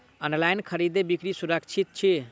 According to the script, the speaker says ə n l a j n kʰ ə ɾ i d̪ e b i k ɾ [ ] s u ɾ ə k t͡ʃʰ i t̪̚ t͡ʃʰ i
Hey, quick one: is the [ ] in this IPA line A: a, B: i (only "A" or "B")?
B